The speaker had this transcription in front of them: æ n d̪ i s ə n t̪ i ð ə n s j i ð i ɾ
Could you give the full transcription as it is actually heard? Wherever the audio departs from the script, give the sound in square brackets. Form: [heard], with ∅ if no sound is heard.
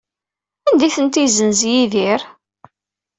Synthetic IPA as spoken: æ n d̪ i [θ] ə n t̪ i [z] ə n [z] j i ð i ɾ